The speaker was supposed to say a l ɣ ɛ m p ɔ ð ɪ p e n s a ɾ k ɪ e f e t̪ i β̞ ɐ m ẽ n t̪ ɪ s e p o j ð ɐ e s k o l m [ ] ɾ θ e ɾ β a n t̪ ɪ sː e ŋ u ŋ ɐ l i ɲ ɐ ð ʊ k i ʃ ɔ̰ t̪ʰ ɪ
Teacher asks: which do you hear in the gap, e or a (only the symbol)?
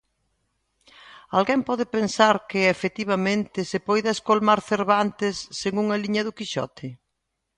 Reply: a